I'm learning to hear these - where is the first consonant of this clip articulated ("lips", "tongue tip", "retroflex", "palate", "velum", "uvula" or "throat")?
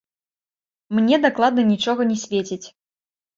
lips